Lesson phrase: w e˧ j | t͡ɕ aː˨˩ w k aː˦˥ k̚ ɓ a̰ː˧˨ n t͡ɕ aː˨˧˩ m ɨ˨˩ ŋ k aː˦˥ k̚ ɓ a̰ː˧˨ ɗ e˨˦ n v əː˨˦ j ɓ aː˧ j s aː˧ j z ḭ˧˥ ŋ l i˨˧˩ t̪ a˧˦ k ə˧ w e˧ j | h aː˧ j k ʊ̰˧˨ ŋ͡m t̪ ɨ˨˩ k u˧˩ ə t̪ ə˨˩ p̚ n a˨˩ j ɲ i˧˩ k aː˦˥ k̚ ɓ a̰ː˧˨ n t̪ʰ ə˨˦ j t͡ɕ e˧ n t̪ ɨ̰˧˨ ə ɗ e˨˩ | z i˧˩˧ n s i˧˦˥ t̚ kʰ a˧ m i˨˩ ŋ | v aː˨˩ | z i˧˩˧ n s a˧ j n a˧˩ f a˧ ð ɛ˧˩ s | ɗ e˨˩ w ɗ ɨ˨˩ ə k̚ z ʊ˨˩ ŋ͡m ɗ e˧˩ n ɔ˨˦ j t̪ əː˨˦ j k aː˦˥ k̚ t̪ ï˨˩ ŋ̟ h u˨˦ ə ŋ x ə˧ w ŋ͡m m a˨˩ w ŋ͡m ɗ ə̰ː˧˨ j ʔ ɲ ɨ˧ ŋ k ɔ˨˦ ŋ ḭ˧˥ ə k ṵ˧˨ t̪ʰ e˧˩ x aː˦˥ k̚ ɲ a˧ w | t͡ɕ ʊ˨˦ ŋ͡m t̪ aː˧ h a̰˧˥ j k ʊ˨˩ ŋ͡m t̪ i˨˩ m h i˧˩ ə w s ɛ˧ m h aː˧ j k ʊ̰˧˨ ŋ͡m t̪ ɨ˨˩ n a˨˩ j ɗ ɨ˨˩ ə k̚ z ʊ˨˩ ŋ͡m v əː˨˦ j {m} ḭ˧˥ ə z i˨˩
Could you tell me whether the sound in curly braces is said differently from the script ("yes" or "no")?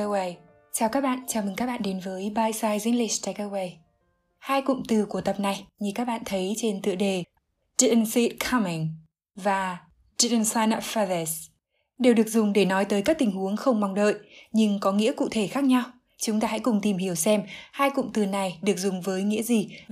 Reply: yes